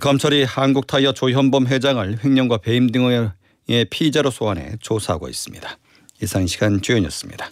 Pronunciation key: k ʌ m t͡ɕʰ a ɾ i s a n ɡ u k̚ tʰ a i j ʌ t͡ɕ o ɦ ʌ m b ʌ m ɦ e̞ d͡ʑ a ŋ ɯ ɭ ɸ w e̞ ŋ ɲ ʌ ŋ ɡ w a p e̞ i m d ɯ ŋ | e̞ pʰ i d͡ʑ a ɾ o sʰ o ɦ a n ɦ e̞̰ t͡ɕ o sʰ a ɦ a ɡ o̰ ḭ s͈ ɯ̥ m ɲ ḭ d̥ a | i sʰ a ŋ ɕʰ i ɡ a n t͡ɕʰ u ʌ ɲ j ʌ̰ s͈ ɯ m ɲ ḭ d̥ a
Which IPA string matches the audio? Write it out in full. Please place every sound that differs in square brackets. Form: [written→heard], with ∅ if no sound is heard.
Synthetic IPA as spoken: k ʌ m t͡ɕʰ [a→ʌ] ɾ i [s→h] a n ɡ u k̚ tʰ a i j ʌ t͡ɕ o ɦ ʌ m b ʌ m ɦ e̞ d͡ʑ a ŋ ɯ ɭ ɸ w e̞ ŋ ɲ ʌ ŋ ɡ w a p e̞ i m d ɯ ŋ | e̞ pʰ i d͡ʑ a ɾ o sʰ o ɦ a n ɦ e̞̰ t͡ɕ o sʰ a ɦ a ɡ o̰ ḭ s͈ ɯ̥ m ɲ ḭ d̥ a | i sʰ a ŋ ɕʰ i ɡ a n [t͡ɕʰ→t͡ɕ] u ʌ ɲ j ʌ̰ s͈ ɯ m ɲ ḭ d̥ a